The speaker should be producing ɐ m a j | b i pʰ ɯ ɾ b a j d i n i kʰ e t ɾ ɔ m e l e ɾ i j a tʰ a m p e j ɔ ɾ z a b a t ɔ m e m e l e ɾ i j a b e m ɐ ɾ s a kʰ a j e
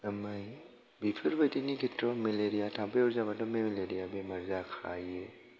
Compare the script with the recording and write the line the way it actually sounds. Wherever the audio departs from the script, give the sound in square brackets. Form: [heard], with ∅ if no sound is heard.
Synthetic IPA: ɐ m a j | b i pʰ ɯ ɾ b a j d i n i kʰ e t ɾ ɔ m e l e ɾ i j a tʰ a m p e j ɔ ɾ z a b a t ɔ m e m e l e ɾ i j a b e m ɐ ɾ [z] a kʰ a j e

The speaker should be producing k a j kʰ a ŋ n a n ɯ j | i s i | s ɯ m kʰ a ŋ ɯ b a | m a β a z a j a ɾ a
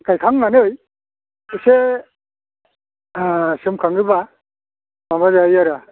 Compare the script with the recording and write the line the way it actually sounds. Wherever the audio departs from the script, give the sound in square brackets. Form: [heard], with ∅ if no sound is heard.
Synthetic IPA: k a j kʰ a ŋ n a n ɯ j | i s [e] | s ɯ m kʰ a ŋ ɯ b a | m a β a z a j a ɾ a

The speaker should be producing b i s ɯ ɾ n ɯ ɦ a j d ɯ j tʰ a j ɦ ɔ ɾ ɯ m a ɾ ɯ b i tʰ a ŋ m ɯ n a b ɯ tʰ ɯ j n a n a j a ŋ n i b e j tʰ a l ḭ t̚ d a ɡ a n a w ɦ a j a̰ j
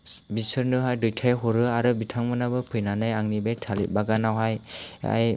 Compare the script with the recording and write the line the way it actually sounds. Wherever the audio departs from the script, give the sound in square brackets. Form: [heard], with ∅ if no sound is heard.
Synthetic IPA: b i s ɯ ɾ n ɯ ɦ a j d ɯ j tʰ a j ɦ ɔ ɾ ɯ [∅] a ɾ ɯ b i tʰ a ŋ m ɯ n a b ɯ [pʰ] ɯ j n a n a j a ŋ n i b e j tʰ a l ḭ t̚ [b] a ɡ a n a w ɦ a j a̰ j

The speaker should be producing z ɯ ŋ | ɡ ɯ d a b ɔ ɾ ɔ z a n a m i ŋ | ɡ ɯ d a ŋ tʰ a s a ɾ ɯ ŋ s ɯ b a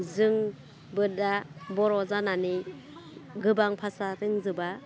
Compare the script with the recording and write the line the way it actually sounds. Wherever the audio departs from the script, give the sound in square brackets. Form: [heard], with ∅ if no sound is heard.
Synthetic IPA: z ɯ ŋ | [b] ɯ d a b ɔ ɾ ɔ z a n a [n] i [∅] | ɡ ɯ [b] a ŋ [pʰ] a s a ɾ ɯ ŋ [z] ɯ b a

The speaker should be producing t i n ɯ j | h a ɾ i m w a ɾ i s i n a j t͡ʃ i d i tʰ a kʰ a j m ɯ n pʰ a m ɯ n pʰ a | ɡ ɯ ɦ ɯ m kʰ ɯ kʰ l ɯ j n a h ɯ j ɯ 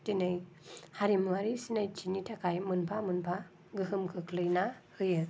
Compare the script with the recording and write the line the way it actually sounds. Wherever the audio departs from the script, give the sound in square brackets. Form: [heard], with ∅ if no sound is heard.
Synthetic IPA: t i n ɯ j | h a ɾ i m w a ɾ i s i n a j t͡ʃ i [n] i tʰ a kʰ a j m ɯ n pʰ a m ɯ n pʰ a | ɡ ɯ ɦ ɯ m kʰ ɯ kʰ l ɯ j n a h ɯ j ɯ

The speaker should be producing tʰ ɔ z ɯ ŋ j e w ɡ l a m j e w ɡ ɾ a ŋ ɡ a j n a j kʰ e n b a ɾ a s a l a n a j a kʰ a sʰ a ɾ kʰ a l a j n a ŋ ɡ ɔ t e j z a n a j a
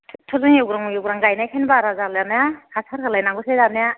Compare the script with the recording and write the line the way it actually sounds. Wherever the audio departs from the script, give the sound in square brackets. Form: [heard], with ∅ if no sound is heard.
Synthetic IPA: tʰ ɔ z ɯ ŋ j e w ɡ [ɾ] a [ŋ] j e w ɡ ɾ a ŋ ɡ a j n a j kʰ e n b a ɾ a [z] a l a n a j a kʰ a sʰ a ɾ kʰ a l a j n a ŋ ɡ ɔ [s] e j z a n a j a

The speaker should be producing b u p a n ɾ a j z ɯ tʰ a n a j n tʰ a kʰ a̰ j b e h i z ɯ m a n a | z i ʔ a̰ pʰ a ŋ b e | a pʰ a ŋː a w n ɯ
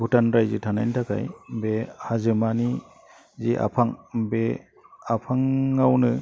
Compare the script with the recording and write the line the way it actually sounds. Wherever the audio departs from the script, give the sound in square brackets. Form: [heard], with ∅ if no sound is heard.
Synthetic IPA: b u [t] a n ɾ a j z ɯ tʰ a n a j n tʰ a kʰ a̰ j b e h [a] z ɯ m a n [i] | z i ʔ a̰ pʰ a ŋ b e | a pʰ a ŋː a w n ɯ

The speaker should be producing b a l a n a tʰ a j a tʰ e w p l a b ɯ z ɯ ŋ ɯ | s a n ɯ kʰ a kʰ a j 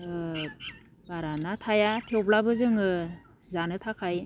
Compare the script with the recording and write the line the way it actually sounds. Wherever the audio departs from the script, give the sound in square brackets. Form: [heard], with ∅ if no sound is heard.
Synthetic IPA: b a [ɾ] a n a tʰ a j a tʰ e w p l a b ɯ z ɯ ŋ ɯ | [z] a n ɯ [tʰ] a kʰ a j

